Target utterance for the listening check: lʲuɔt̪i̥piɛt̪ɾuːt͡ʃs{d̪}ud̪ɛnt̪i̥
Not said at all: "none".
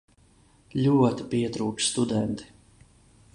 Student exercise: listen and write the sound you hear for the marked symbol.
t̪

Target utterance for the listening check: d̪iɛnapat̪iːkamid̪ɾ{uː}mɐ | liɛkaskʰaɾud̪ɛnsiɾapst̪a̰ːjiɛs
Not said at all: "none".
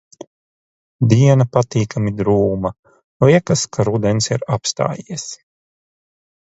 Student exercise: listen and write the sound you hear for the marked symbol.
uː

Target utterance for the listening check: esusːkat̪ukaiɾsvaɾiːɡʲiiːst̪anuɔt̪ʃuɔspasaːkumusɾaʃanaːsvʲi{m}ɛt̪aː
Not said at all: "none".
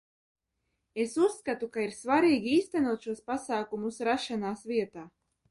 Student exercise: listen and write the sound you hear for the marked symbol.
none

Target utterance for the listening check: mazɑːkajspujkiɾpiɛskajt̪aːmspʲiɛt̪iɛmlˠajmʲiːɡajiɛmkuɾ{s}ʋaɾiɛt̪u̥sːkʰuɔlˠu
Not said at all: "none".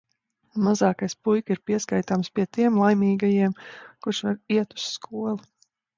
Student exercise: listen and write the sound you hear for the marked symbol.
ʃ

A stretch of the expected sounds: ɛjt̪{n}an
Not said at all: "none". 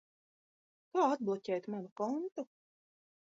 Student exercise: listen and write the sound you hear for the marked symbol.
m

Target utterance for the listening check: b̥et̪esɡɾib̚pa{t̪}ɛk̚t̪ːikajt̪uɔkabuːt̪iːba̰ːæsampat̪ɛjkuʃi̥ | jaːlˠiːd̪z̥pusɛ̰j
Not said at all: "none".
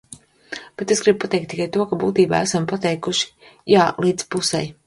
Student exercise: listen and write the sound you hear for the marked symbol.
t̪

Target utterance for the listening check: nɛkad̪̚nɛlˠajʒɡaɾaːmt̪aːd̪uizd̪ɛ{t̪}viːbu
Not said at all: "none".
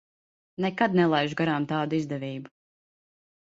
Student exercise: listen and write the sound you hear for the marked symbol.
none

